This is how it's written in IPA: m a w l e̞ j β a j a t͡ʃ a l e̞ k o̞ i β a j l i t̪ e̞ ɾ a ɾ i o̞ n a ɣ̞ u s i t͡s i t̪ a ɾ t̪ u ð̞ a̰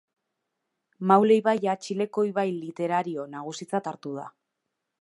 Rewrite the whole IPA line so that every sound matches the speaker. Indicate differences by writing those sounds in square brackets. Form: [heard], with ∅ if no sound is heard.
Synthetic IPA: m a w l e̞ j β a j a t͡ʃ [i] l e̞ k o̞ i β a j l i t̪ e̞ ɾ a ɾ i o̞ n a ɣ̞ u s i t͡s [a] t̪ a ɾ t̪ u ð̞ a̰